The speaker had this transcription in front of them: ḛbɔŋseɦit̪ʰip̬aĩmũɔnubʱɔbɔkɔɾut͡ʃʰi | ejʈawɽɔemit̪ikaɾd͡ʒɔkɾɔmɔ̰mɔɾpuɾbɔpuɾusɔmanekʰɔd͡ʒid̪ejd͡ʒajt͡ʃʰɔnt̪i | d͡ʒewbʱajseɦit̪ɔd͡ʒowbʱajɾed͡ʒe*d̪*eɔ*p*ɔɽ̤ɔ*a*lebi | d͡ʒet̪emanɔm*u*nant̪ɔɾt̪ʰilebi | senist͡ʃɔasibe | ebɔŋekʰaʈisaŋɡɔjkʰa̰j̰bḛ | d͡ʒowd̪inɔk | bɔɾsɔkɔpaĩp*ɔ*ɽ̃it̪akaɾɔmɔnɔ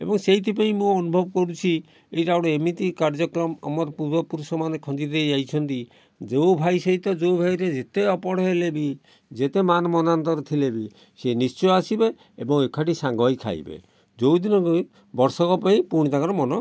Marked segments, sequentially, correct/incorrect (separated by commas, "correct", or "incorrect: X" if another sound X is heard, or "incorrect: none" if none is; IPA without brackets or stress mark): incorrect: t̪, correct, incorrect: e, incorrect: ɔ, incorrect: u